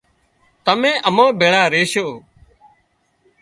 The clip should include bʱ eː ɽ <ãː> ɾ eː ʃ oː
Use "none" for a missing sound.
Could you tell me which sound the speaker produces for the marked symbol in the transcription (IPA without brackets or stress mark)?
aː